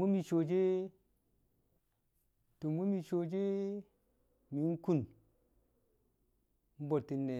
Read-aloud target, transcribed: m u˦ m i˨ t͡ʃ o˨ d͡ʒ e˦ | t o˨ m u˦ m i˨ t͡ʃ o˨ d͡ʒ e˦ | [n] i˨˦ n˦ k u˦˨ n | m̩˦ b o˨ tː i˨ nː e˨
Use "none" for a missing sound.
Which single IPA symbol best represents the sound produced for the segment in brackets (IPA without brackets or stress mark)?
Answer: m